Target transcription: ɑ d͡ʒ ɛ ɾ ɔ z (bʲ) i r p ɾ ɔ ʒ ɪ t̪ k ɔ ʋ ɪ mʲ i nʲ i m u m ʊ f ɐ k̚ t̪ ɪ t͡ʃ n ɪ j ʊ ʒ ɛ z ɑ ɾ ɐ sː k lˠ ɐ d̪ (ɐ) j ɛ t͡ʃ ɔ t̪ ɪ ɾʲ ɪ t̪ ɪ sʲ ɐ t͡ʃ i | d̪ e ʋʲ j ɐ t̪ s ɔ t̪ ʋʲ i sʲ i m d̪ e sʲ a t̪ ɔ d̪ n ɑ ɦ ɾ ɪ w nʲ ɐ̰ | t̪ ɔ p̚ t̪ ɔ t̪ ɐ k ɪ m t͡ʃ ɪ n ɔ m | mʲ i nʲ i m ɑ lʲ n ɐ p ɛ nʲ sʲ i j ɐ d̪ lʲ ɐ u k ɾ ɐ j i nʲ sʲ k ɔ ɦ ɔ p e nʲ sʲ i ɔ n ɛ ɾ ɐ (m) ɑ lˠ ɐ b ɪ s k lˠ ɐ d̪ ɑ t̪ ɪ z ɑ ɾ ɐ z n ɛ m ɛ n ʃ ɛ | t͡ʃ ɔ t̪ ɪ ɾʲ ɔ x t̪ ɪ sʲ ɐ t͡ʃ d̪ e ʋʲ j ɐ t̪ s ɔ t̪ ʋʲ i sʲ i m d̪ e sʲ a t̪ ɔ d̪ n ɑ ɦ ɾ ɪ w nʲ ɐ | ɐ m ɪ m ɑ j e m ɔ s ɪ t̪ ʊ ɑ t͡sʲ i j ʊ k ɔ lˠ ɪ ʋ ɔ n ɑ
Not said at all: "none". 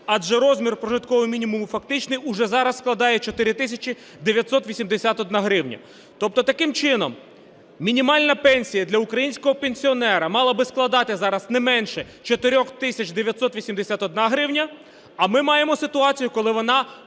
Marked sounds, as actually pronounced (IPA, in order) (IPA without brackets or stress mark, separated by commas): mʲ, ɑ, m